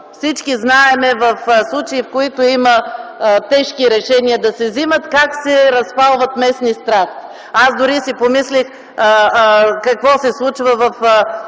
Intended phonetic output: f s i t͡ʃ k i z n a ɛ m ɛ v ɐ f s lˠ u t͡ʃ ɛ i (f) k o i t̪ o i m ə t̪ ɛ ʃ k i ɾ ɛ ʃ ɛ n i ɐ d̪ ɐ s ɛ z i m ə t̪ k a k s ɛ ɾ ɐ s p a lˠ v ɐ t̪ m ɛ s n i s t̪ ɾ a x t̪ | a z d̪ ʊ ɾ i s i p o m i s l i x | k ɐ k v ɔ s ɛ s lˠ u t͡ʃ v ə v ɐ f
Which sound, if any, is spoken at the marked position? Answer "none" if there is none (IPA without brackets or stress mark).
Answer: f